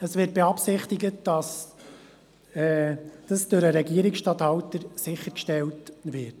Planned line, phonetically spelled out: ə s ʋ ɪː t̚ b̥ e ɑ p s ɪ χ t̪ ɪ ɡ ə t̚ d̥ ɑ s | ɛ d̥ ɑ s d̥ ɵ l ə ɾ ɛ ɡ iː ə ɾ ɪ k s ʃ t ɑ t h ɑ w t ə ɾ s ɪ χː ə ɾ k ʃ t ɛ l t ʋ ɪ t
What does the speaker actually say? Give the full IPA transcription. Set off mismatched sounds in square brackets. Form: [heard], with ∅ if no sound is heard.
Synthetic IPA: ə s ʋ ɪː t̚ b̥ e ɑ p s ɪ χ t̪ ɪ ɡ ə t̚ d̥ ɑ s | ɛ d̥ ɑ s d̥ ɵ [ɾ] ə ɾ ɛ ɡ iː ə ɾ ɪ k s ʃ t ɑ t h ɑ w t ə ɾ s ɪ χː ə ɾ k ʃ t ɛ l t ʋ ɪ t